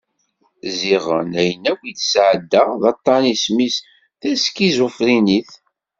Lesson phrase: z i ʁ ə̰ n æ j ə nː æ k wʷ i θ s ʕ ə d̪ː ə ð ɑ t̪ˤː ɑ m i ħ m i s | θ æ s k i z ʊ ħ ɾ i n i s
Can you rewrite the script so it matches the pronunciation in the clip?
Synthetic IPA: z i ʁ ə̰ n æ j ə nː æ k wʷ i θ s ʕ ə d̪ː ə ð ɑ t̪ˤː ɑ n i s m i s | θ æ s k i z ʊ f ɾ i n i θ